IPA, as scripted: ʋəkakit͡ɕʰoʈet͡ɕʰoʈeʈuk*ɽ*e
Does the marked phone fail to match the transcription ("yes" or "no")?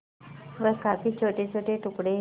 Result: no